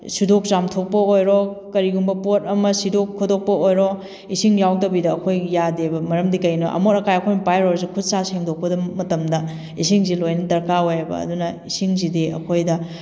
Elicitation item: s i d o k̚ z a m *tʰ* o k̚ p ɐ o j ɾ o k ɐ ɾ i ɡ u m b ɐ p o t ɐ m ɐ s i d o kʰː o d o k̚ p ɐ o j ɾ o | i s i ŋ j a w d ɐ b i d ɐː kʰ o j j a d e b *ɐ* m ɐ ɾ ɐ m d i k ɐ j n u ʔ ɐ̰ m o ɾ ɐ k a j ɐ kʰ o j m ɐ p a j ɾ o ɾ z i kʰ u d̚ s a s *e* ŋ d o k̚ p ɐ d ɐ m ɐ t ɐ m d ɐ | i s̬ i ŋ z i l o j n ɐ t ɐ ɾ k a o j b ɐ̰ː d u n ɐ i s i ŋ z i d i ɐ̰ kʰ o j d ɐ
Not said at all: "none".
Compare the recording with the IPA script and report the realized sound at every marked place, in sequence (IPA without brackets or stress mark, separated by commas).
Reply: tʰ, ɐ, e